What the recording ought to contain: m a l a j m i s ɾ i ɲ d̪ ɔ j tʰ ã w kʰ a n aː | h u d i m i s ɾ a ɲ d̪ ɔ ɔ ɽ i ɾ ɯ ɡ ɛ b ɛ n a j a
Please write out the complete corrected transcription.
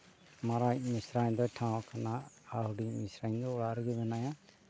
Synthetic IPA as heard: m a ɾ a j m i s ɾ a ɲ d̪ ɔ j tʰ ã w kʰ a n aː | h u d i m i s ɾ a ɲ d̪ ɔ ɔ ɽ a ɾ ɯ ɡ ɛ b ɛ n a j a